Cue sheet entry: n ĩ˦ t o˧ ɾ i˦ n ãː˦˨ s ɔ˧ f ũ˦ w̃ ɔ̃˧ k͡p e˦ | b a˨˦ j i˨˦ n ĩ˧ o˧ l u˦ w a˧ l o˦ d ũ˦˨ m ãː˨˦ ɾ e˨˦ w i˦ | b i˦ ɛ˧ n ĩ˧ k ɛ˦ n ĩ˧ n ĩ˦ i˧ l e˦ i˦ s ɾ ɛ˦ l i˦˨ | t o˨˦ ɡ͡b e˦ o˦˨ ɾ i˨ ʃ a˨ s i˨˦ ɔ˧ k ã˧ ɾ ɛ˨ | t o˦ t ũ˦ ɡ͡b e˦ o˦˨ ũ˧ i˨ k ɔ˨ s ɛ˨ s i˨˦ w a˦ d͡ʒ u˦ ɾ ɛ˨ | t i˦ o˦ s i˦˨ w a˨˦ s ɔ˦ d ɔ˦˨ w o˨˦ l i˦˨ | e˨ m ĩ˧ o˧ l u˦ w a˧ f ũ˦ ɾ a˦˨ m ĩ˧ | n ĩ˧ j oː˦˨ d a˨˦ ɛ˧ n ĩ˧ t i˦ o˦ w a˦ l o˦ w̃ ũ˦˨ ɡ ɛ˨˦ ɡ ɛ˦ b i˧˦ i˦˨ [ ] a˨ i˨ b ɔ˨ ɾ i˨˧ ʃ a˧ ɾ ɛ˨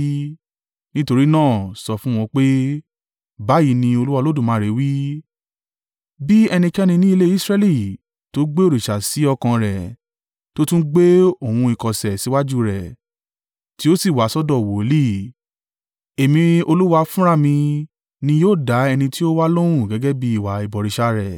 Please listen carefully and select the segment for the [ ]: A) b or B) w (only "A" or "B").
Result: B